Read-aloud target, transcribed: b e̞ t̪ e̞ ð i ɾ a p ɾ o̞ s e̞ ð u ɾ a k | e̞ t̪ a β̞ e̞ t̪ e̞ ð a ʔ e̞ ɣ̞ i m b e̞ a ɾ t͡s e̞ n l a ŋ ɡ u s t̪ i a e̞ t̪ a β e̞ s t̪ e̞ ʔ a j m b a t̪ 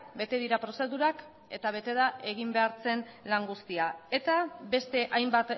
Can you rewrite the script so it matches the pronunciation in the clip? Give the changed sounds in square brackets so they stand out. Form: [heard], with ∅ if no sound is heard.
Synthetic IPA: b e̞ t̪ e̞ ð i ɾ a p ɾ o̞ s e̞ ð u ɾ a k | e̞ t̪ a β̞ e̞ t̪ e̞ ð a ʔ e̞ ɣ̞ i m b e̞ a ɾ t͡s e̞ n l a ŋ ɡ u s t̪ i a e̞ t̪ a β e̞ s t̪ e̞ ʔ a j m b a t̪